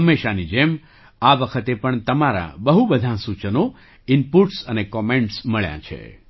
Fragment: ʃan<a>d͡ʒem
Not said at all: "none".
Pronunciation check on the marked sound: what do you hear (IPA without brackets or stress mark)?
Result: i